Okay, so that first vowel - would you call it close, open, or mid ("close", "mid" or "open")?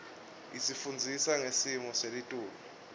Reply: close